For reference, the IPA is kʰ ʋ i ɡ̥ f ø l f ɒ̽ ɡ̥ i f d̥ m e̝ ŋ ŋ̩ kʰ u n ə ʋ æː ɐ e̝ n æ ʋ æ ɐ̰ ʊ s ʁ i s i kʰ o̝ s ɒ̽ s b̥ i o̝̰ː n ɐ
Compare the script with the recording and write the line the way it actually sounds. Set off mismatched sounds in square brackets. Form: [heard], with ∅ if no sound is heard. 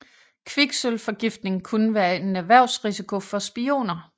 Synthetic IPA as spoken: kʰ ʋ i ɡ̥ [s] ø l f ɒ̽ ɡ̥ i f d̥ [n] e̝ ŋ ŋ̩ kʰ u n ə ʋ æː ɐ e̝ n æ ʋ æ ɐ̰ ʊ s ʁ i s i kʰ o̝ [f] ɒ̽ s b̥ i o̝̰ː n ɐ